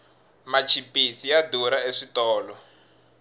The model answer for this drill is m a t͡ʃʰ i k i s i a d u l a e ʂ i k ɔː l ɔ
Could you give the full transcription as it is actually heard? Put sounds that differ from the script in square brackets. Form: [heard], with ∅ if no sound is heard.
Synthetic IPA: m a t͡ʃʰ i [p] i s i a d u [ɾ] a e ʂ i [t] ɔː l ɔ